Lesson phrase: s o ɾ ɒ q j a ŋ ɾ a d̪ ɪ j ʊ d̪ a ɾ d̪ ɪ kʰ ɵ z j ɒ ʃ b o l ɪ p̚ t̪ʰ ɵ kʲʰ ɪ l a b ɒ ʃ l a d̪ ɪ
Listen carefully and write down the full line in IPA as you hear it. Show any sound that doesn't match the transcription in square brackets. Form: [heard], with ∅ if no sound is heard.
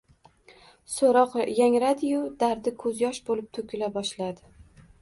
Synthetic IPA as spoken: s o ɾ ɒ q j a ŋ ɾ a d̪ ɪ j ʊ d̪ a ɾ d̪ ɪ kʰ ɵ z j ɒ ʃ b o l ɪ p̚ t̪ʰ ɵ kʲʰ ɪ l a b ɒ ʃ l a d̪ ɪ